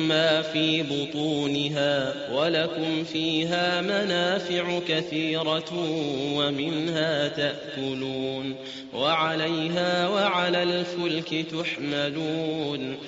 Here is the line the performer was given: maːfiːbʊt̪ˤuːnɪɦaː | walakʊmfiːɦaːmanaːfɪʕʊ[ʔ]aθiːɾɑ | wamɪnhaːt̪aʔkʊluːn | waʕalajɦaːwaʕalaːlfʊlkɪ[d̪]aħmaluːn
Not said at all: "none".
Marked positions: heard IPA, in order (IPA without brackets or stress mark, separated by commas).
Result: k, t̪